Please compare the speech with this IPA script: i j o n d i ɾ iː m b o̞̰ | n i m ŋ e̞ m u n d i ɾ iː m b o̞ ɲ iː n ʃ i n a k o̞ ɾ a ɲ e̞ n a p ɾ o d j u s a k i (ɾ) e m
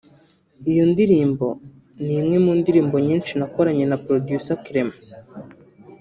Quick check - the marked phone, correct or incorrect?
correct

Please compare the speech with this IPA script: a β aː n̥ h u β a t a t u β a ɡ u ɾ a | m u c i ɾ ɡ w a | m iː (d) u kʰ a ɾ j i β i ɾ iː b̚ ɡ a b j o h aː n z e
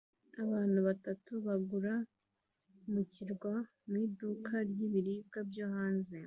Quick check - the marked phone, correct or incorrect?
correct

